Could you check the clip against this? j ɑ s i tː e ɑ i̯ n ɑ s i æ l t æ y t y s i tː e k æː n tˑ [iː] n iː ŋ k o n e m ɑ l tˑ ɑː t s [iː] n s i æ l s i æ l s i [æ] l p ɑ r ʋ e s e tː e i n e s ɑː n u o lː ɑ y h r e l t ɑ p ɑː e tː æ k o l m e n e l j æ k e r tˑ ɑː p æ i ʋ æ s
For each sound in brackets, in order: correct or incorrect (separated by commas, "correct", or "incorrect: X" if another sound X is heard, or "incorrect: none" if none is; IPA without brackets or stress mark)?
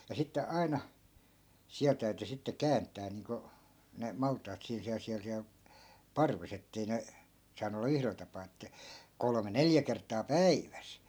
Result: incorrect: æː, correct, correct